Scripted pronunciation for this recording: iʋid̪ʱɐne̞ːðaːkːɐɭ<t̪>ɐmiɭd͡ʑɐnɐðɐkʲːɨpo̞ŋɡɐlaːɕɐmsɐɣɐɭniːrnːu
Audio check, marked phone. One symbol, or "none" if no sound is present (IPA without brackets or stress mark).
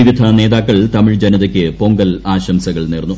t̪